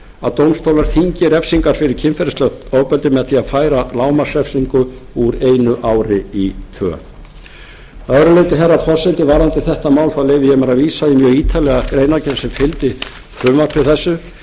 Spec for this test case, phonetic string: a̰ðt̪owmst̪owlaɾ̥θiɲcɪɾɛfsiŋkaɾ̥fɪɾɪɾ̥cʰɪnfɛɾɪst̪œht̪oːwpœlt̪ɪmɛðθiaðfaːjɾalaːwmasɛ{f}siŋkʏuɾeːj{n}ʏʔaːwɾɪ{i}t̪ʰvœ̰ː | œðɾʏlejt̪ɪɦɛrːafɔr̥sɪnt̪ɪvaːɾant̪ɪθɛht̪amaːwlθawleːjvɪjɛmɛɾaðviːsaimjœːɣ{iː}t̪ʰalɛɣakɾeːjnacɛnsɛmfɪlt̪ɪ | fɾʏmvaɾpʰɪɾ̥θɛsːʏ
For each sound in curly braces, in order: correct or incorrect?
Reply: correct, correct, correct, correct

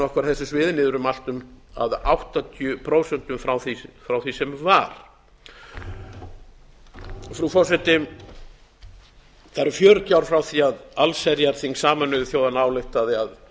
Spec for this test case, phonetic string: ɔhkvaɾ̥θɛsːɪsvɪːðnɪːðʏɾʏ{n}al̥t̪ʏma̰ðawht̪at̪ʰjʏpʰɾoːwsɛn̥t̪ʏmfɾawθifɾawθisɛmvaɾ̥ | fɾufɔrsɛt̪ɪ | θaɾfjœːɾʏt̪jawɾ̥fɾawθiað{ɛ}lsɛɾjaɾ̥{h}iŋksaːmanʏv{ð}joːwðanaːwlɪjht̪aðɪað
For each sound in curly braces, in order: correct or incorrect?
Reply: incorrect: m, incorrect: a, incorrect: θ, incorrect: θ

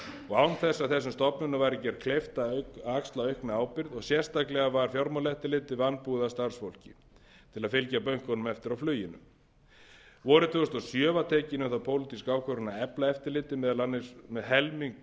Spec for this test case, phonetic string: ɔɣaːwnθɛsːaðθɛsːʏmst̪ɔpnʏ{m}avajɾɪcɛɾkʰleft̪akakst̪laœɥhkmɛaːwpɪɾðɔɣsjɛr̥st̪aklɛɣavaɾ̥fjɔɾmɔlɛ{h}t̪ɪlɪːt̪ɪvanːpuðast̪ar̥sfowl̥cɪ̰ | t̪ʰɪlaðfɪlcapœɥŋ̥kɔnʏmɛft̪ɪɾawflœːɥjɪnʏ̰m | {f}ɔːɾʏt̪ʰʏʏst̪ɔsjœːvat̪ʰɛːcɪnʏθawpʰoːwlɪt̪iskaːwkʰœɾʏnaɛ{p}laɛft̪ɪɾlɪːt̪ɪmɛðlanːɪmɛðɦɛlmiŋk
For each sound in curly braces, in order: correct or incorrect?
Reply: incorrect: n, correct, incorrect: v, correct

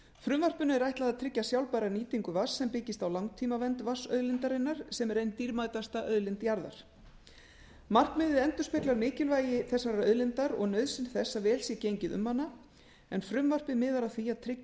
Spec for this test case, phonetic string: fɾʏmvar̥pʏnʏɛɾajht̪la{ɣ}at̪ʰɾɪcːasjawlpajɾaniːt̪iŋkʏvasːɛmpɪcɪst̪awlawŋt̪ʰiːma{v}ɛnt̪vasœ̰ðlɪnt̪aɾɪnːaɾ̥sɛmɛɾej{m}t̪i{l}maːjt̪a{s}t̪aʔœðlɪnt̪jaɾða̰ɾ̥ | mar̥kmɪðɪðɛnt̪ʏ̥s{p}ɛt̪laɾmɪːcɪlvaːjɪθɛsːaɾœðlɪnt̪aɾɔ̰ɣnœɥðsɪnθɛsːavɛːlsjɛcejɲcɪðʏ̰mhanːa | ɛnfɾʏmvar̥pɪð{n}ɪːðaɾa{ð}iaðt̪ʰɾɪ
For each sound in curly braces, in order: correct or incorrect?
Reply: incorrect: ð, correct, incorrect: n, incorrect: ɾ, correct, correct, incorrect: m, incorrect: θ

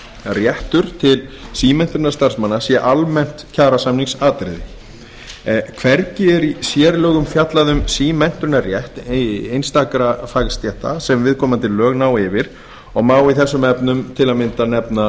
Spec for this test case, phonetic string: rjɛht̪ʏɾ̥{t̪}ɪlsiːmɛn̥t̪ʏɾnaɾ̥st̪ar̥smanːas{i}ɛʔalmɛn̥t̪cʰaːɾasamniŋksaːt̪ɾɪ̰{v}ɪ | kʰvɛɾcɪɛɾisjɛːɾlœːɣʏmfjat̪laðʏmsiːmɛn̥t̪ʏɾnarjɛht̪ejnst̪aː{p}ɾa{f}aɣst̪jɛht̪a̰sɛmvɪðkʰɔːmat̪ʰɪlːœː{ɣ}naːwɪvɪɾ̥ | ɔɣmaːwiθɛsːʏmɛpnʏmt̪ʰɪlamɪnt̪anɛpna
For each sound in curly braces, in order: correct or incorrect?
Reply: incorrect: t̪ʰ, incorrect: j, incorrect: ð, incorrect: k, correct, correct

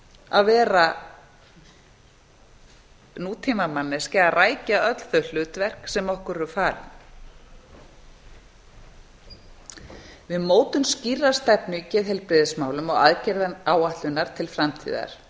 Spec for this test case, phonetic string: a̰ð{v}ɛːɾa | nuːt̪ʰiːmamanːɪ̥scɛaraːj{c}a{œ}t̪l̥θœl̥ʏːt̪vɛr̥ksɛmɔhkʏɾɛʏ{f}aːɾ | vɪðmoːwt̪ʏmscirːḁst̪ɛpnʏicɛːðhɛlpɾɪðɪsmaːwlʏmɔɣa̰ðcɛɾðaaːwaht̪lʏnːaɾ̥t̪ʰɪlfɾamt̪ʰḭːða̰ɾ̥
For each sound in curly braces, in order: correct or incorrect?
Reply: correct, correct, correct, correct

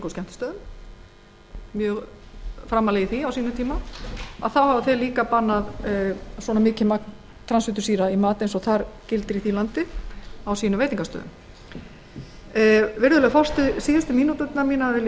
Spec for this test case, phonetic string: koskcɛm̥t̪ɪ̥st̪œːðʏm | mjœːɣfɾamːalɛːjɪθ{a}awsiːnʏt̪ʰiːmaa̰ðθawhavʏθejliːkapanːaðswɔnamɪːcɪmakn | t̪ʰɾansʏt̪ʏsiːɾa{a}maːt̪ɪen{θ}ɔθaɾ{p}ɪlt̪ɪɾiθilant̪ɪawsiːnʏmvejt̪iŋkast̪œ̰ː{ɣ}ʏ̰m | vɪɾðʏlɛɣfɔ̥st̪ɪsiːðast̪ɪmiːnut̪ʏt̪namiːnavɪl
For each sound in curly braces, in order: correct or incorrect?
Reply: incorrect: i, incorrect: i, incorrect: s, incorrect: c, incorrect: ð

